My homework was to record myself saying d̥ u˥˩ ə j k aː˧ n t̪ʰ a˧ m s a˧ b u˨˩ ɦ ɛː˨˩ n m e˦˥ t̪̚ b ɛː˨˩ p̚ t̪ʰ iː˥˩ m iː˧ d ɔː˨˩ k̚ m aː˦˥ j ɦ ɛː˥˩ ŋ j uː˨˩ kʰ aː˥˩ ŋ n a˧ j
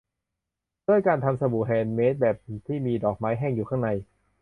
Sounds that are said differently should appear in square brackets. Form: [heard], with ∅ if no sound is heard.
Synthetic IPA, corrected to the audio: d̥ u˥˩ ə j k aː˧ n t̪ʰ a˧ m s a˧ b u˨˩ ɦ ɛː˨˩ n m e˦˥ t̪̚ b ɛː˨˩ p̚ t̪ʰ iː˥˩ m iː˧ d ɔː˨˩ k̚ m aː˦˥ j ɦ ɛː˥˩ ŋ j uː˨˩ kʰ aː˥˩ ŋ n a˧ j